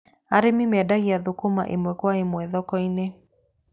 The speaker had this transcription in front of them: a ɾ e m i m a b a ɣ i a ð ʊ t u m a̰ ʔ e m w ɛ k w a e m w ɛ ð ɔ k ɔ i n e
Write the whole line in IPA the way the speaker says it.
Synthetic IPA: a ɾ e m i m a d a ɣ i a ð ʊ k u m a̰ ʔ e m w ɛ k w a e m w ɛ ð ɔ k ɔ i n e